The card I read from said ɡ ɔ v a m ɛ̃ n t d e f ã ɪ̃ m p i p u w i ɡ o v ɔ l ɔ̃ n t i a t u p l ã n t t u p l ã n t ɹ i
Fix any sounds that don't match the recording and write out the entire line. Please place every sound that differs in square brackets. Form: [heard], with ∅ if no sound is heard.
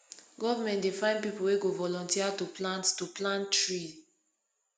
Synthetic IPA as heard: ɡ ɔ v a m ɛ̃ n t d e f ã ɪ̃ [n] p i p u w [e] ɡ o v ɔ l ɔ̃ n t i a t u p l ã n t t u p l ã n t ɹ i